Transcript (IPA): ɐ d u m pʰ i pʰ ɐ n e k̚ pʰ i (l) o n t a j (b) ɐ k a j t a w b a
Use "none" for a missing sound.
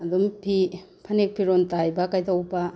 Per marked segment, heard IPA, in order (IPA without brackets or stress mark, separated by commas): ɾ, b